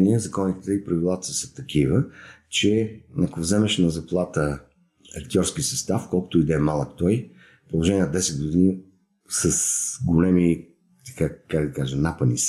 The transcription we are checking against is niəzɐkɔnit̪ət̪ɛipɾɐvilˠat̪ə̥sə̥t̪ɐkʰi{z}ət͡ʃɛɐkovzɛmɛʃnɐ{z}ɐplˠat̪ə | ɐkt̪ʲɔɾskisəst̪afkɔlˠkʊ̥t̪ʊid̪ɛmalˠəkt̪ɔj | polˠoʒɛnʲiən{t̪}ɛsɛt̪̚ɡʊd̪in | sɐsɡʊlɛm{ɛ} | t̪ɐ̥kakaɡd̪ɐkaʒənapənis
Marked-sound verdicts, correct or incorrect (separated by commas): incorrect, correct, incorrect, incorrect